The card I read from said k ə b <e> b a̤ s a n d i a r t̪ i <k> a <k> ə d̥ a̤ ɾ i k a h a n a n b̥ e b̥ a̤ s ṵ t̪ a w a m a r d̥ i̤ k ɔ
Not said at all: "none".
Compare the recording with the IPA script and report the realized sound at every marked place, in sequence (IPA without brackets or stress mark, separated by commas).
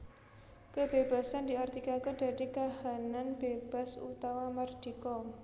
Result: e, k, k